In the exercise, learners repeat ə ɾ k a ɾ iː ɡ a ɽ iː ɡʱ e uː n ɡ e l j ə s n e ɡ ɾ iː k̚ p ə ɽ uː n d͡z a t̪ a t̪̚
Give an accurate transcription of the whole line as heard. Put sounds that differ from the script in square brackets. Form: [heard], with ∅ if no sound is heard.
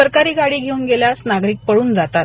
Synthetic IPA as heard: ə ɾ k a ɾ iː ɡ a ɽ iː ɡʱ e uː n ɡ e l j [a] s n [a] ɡ ɾ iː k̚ p ə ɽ uː n d͡z a t̪ a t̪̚